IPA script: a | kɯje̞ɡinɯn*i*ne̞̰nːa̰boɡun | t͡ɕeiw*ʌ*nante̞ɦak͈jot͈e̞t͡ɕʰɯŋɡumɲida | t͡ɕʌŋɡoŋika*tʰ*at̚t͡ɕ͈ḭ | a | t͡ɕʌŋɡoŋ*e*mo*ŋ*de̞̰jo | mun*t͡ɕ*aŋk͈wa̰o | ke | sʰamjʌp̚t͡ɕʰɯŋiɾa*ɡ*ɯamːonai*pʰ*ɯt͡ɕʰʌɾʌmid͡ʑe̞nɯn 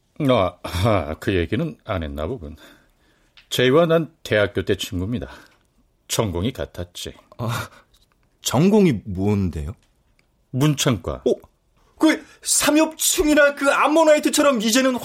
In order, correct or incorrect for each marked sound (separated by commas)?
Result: incorrect, incorrect, correct, incorrect, incorrect, incorrect, incorrect, incorrect